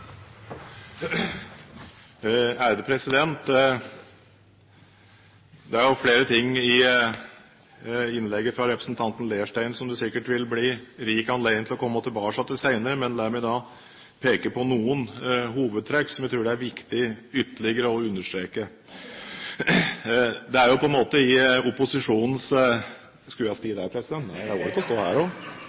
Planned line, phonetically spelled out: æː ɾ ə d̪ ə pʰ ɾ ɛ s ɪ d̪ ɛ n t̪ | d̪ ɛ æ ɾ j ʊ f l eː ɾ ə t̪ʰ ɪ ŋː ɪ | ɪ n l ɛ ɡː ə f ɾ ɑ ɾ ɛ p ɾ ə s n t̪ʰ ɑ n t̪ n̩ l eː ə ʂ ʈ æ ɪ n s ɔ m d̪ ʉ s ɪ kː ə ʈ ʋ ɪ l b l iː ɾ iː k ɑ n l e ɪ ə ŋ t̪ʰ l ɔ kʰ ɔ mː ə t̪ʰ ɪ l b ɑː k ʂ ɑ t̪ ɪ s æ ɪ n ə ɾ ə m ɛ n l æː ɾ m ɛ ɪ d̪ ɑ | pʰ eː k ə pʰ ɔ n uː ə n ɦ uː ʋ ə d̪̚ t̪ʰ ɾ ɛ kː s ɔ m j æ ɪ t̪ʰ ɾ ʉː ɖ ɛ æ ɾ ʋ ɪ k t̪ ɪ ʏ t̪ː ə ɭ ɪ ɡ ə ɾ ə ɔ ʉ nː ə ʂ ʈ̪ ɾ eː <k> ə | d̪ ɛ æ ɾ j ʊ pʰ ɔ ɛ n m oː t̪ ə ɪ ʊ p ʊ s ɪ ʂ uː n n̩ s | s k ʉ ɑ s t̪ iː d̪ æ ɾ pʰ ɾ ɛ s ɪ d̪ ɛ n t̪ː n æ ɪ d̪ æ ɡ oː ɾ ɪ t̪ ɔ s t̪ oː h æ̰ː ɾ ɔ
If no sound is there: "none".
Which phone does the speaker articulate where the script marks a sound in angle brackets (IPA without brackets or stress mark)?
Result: k